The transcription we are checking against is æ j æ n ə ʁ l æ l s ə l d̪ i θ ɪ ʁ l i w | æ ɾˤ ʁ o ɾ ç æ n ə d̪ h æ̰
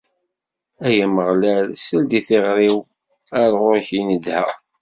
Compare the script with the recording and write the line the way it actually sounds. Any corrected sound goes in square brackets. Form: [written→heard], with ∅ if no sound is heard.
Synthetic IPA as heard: æ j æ [n→m] ə ʁ l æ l s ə l d̪ i θ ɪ ʁ [l→ɾ] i w | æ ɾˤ ʁ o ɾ ç [æ→i] n ə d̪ h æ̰

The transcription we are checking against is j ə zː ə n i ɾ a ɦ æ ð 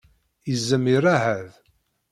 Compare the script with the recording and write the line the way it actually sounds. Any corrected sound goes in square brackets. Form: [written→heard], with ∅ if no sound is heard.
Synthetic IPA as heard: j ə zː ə [n→m] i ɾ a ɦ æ ð

